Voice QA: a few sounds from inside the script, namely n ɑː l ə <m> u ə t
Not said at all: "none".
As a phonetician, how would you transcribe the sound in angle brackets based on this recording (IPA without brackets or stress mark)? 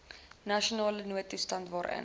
n